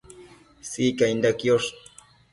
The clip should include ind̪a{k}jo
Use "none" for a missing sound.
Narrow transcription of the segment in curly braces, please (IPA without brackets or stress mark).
k